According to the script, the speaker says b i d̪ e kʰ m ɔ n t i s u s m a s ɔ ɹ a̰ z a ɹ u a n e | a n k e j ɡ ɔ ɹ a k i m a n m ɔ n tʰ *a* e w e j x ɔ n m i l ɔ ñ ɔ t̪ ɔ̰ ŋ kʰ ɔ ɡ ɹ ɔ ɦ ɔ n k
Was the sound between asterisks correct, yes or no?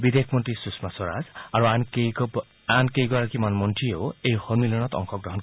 no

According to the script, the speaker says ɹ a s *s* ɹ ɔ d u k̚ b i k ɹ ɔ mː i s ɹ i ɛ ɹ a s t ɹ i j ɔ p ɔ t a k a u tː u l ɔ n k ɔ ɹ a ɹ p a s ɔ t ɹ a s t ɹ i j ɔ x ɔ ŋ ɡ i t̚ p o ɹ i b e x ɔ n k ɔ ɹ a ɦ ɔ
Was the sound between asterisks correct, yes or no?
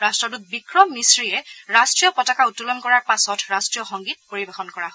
no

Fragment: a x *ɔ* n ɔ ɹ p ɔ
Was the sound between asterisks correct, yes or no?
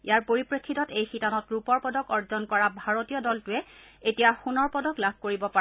no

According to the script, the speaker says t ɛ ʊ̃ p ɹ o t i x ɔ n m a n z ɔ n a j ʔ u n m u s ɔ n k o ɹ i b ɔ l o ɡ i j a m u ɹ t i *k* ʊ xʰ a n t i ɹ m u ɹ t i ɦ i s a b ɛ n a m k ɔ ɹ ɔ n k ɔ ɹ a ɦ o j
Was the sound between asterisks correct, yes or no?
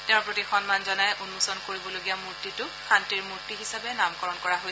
no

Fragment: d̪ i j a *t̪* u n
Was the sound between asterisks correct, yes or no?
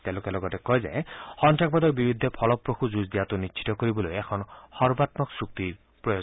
yes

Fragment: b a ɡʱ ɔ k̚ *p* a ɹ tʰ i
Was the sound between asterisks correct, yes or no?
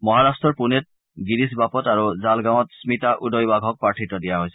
yes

